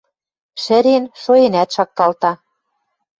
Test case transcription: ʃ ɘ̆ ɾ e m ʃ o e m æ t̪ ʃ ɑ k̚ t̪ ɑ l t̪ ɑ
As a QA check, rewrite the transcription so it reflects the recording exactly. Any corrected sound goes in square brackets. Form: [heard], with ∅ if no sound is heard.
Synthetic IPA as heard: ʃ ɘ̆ ɾ e [n] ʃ o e [n] æ t̪ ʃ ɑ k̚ t̪ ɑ l t̪ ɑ